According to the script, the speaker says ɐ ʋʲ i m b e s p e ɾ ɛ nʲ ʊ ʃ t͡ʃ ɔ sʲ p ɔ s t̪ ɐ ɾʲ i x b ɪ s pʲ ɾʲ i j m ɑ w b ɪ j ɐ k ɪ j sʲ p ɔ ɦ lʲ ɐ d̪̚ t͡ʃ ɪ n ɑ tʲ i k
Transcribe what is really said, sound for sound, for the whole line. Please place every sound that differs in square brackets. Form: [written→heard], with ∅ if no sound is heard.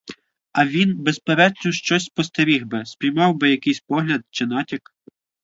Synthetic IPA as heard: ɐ ʋʲ i [m→n] b e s p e ɾ ɛ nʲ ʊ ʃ t͡ʃ ɔ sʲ p ɔ s t̪ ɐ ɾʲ i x b ɪ s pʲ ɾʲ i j m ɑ w b ɪ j ɐ k ɪ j sʲ p ɔ ɦ lʲ ɐ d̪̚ t͡ʃ ɪ n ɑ tʲ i k